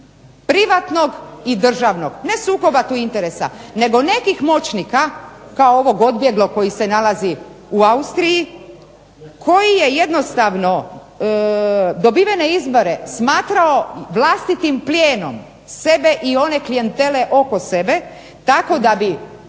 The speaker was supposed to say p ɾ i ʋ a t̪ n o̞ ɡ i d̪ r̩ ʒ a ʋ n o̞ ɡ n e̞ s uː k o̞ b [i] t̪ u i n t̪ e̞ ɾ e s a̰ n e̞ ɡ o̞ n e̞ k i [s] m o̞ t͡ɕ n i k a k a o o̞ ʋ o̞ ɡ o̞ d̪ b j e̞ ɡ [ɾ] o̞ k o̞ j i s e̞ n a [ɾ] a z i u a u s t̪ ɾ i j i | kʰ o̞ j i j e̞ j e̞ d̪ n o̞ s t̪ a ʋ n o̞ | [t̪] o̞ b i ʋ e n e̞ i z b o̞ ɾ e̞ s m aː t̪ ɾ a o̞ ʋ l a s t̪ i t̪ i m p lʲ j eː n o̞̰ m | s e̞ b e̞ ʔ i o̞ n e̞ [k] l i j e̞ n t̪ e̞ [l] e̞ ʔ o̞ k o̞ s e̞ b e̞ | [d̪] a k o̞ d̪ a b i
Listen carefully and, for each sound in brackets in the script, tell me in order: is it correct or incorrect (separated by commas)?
incorrect, incorrect, incorrect, incorrect, incorrect, correct, correct, incorrect